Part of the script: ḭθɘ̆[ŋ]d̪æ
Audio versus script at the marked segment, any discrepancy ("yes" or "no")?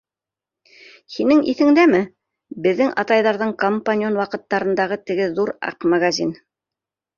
no